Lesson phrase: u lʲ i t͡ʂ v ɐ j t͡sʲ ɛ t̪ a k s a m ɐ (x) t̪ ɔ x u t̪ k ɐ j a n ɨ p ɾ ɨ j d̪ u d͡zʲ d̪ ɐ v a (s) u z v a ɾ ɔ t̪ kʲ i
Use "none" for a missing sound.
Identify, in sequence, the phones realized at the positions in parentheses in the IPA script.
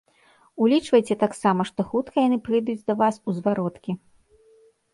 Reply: ʂ, s

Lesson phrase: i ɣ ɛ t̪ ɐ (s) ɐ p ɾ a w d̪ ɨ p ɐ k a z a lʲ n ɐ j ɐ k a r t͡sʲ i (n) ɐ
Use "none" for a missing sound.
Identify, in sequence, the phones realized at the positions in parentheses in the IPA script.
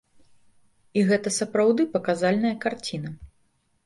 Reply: s, n

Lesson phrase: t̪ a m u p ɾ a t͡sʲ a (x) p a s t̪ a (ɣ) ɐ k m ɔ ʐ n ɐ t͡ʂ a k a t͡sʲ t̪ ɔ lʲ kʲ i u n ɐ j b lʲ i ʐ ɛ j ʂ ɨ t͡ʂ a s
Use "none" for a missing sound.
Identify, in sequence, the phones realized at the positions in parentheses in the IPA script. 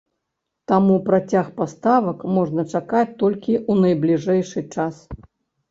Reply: x, v

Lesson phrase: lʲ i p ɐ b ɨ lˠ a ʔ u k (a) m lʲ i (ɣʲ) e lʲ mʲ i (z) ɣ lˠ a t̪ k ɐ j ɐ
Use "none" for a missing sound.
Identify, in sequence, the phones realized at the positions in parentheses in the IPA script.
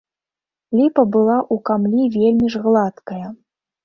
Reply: a, vʲ, ʐ

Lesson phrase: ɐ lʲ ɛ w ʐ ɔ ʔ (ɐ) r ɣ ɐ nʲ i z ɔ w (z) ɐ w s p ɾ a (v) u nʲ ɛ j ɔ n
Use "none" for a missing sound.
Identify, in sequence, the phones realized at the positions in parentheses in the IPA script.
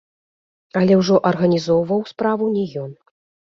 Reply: ɐ, v, v

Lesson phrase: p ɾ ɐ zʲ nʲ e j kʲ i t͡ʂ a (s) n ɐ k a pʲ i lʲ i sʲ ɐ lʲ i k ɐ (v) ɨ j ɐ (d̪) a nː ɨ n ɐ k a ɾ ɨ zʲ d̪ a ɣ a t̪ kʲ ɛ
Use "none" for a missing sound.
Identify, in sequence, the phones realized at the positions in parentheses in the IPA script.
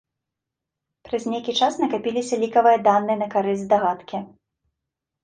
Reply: s, v, d̪

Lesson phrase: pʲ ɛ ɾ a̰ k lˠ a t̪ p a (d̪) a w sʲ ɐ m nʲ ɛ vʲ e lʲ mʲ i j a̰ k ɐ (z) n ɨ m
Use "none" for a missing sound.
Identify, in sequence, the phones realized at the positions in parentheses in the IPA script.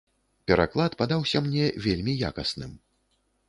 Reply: d̪, s

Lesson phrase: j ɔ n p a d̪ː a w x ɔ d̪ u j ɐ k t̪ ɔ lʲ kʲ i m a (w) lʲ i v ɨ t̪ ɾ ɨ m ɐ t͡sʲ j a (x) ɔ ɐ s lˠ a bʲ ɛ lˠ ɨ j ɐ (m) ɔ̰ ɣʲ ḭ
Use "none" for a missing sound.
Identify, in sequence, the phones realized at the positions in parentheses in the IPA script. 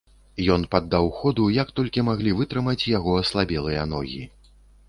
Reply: ɣ, ɣ, n

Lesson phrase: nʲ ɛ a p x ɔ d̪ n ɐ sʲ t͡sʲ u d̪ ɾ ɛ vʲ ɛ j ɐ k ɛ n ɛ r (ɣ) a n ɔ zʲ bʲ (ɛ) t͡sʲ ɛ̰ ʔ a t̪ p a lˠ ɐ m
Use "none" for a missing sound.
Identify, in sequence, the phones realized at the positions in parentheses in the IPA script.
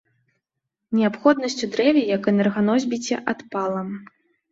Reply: ɣ, i

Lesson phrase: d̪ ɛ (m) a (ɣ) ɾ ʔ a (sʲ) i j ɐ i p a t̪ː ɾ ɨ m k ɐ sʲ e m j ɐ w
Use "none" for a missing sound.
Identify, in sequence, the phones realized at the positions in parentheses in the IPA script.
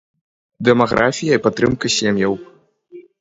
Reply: m, ɣ, fʲ

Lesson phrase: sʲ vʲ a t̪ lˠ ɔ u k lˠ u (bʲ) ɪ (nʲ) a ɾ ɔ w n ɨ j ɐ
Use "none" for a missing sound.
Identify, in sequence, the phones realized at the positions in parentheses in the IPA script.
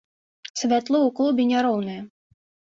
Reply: bʲ, nʲ

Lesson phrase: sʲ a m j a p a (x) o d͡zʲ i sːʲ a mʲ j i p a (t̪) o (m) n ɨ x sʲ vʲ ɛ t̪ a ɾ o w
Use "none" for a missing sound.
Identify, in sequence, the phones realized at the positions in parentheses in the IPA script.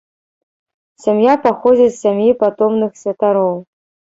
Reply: x, t̪, m

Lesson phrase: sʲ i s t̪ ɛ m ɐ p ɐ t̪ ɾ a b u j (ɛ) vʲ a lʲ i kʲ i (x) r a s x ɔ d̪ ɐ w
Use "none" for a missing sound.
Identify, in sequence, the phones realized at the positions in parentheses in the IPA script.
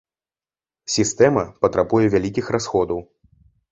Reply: ɛ, x

